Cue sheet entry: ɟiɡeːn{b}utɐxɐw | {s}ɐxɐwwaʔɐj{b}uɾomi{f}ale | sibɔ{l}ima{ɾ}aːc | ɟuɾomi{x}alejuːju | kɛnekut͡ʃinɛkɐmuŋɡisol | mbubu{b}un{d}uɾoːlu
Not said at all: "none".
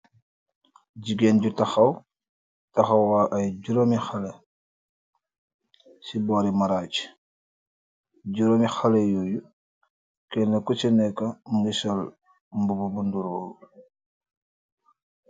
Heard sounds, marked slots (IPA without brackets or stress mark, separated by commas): ɟ, t, ɟ, x, ɾ, ɾ, x, b, d